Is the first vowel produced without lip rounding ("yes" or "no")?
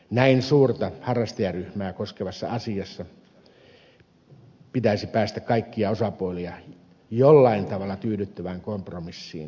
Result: yes